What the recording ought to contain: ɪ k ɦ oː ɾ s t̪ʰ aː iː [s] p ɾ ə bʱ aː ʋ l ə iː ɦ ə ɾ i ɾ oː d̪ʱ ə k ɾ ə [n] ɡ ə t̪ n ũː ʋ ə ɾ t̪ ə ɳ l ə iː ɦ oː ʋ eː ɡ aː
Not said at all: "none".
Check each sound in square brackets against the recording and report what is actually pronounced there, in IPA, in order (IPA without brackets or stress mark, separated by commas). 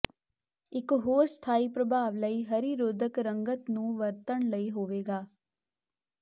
none, ŋ